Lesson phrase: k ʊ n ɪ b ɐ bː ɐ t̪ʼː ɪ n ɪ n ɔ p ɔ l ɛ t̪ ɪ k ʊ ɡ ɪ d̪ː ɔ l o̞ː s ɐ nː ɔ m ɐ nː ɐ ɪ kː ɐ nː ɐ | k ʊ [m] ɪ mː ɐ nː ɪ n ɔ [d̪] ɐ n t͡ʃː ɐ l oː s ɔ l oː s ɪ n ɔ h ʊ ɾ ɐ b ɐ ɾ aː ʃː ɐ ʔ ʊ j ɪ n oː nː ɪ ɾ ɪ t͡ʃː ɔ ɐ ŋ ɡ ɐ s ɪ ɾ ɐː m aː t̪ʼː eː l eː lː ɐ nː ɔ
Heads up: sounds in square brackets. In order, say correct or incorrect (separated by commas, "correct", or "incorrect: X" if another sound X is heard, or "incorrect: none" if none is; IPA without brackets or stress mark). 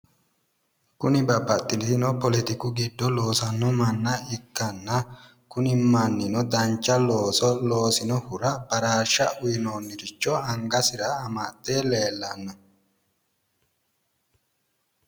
incorrect: n, correct